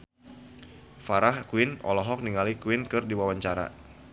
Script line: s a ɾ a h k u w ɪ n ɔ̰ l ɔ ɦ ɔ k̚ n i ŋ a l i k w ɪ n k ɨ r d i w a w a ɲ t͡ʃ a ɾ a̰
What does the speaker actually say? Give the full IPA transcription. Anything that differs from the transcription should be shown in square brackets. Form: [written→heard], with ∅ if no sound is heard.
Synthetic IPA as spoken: [s→f] a ɾ a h k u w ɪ n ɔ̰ l ɔ ɦ ɔ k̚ n i ŋ a l i k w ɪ n k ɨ r d i w a w a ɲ t͡ʃ a ɾ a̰